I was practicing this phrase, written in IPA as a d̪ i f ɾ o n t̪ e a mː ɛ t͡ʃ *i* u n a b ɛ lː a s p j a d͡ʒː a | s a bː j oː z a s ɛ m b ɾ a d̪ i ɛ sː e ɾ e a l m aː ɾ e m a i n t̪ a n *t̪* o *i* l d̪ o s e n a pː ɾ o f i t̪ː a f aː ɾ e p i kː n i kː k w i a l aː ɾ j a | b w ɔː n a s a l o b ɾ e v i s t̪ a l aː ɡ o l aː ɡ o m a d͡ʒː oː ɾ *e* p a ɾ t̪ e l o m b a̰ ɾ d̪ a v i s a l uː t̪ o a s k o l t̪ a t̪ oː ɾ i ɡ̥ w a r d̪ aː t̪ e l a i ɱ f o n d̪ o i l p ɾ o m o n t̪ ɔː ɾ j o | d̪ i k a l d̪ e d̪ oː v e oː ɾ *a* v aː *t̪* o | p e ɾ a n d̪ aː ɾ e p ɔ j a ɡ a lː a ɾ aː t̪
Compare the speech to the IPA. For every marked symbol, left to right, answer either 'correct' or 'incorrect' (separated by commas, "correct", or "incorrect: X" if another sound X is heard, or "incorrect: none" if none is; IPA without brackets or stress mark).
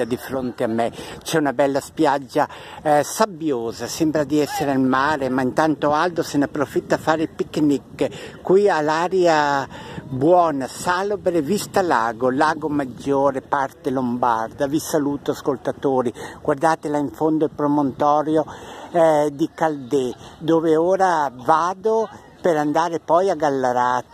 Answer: incorrect: ɛ, correct, incorrect: a, correct, correct, incorrect: d̪